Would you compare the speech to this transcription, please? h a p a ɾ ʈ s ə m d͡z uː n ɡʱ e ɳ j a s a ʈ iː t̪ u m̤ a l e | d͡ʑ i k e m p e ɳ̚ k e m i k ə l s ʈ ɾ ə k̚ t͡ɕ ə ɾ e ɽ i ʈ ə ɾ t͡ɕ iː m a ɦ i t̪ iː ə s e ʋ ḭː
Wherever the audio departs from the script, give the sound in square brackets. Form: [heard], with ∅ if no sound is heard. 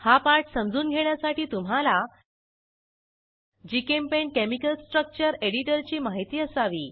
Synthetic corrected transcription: h a p a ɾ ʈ s ə m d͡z uː n ɡʱ e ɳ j a s a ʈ iː t̪ u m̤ a l [a] | d͡ʑ i k e m p e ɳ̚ k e m i k ə l s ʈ ɾ ə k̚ t͡ɕ ə ɾ e ɽ i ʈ ə ɾ t͡ɕ iː m a ɦ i t̪ iː ə s [a] ʋ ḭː